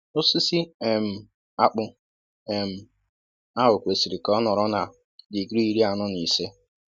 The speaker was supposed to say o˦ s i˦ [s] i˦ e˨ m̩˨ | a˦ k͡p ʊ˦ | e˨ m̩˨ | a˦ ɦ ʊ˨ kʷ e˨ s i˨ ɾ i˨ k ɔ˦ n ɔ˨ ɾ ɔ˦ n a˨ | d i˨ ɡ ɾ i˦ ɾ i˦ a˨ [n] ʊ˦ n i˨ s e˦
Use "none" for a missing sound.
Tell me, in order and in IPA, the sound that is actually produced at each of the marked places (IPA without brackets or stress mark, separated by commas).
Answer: s, n